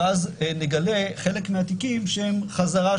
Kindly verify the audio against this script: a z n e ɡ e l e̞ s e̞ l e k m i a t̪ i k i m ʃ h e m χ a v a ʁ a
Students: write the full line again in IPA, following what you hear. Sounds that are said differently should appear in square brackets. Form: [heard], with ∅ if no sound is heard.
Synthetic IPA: a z n e ɡ [a] l e̞ [χ] e̞ l e k m [e] a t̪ i k i m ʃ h e m χ a [z] a ʁ a